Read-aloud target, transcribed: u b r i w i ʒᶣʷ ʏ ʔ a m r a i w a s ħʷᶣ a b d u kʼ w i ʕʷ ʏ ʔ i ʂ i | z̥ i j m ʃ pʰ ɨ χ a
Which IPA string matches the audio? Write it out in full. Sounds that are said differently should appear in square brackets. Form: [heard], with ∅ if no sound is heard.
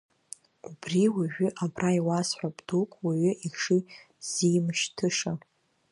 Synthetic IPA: u b r i w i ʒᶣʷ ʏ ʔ a [b] r a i w a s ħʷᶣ a b d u kʼ w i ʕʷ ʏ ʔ i ʂ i | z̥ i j m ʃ [tʰ] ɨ [ʂ] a